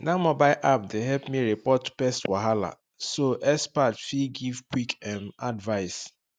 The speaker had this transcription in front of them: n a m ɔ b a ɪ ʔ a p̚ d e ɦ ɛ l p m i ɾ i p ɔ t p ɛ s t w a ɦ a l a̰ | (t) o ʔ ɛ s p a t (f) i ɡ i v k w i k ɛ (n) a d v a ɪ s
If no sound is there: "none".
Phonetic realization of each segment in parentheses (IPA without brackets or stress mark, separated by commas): s, f, m